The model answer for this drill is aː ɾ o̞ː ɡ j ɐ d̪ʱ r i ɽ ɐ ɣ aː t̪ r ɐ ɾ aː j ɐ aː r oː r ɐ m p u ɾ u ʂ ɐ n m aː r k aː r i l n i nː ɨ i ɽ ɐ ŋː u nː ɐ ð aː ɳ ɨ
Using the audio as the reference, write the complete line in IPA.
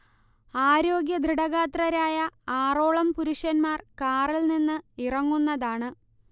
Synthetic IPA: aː ɾ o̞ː ɡ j ɐ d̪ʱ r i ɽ ɐ ɣ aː t̪ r ɐ ɾ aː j ɐ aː r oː ɭ ɐ m p u ɾ u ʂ ɐ n m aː r k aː r i l n i nː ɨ i r ɐ ŋː u nː ɐ ð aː ɳ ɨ